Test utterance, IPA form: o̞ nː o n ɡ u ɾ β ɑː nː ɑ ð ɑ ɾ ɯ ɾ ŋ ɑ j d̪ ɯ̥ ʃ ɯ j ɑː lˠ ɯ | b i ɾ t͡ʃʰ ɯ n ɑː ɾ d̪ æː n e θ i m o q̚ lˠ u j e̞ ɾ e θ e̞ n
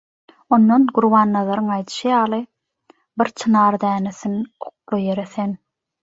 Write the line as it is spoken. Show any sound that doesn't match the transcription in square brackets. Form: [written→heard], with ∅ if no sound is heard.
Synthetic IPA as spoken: o̞ nː o n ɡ u ɾ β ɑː nː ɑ ð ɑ ɾ ɯ [ɾ→∅] ŋ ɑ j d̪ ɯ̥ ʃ ɯ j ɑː lˠ ɯ | b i ɾ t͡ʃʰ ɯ n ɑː ɾ d̪ æː n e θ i [m→n] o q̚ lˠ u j e̞ ɾ e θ e̞ n